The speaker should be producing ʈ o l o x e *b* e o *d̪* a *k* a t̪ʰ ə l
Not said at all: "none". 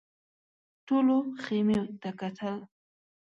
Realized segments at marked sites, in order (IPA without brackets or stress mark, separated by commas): m, t̪, k